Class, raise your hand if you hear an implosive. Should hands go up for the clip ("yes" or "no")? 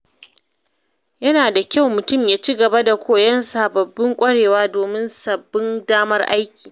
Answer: no